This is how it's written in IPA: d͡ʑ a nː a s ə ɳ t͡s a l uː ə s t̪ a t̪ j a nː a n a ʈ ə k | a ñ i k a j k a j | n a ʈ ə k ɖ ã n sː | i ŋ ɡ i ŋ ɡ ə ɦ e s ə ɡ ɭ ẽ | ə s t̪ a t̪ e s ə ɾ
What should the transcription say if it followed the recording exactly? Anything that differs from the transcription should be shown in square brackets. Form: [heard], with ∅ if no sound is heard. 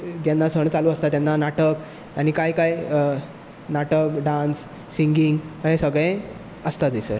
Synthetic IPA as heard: d͡ʑ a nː a s ə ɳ t͡s a l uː ə s t̪ a t̪ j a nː a n a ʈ ə k | a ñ i k a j k a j | n a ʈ ə k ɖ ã n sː | i ŋ ɡ i ŋ ɡ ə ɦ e s ə ɡ ɭ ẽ | ə s t̪ a t̪ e s ə ɾ